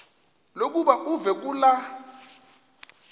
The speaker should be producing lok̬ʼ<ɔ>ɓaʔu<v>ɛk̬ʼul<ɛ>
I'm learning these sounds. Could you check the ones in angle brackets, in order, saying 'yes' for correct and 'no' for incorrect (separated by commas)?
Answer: no, yes, no